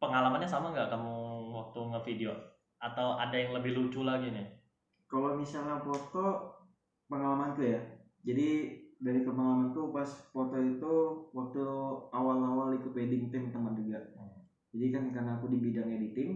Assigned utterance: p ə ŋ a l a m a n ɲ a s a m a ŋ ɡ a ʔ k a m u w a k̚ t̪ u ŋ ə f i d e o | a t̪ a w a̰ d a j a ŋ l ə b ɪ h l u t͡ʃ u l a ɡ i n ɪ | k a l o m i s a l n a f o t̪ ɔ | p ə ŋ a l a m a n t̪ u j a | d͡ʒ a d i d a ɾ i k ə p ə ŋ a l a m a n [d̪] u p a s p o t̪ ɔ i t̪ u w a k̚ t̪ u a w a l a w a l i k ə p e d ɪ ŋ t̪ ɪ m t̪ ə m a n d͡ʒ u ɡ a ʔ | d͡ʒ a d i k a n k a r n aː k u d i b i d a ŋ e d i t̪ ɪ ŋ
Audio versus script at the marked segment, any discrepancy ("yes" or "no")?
yes